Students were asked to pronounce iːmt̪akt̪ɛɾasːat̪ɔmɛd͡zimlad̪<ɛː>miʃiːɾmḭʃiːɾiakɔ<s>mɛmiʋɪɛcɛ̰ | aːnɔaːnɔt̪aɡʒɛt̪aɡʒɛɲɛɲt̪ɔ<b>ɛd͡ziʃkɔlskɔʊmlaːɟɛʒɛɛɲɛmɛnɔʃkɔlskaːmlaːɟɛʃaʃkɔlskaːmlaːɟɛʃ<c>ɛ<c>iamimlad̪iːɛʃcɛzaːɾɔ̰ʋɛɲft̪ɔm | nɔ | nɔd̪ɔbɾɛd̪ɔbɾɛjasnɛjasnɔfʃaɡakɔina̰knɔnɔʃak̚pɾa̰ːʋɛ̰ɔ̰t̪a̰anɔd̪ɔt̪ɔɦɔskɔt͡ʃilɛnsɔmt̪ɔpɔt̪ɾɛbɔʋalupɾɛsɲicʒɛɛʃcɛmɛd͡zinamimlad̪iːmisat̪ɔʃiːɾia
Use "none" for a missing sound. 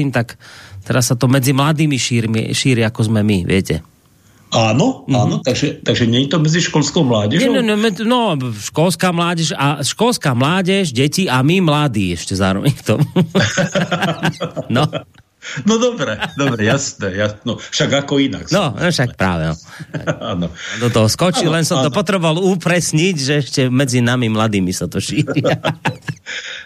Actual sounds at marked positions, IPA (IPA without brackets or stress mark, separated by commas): iː, z, m, ɟ, c